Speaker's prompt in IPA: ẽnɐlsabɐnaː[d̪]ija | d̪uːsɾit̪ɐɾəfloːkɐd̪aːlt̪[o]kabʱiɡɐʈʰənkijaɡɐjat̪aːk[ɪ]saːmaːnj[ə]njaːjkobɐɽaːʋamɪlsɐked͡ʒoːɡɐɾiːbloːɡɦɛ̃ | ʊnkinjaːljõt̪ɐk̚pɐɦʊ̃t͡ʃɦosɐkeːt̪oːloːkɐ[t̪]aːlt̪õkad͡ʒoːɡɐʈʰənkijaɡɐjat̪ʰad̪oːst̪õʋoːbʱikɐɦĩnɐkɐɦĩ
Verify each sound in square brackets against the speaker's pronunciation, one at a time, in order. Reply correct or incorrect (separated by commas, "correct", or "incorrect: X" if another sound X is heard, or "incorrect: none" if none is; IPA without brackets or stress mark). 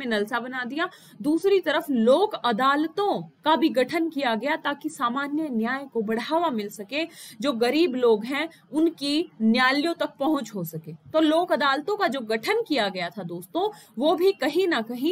correct, incorrect: õ, incorrect: i, correct, incorrect: d̪